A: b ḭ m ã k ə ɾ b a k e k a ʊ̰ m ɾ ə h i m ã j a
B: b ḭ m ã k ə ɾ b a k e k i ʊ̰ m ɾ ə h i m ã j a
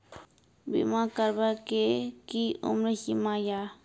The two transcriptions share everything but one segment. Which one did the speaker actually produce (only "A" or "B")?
B